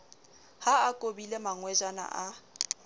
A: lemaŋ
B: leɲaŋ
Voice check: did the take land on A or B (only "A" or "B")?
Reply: A